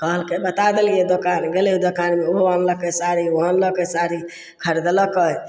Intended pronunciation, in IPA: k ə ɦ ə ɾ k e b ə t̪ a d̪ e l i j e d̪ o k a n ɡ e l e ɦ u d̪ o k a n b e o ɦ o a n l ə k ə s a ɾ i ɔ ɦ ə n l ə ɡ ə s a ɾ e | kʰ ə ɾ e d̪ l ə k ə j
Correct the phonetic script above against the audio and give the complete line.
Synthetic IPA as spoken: k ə ɦ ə l k e b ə t̪ a d̪ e l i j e d̪ o k a n ɡ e l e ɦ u d̪ o k a n m e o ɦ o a n l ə k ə s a ɾ i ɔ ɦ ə n l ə k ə s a ɾ i | kʰ ə ɾ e d̪ l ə k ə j